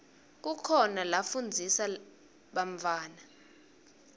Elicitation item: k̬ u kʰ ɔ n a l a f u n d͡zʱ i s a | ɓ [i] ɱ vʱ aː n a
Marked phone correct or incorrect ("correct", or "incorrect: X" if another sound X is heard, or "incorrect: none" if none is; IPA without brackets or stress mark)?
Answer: incorrect: a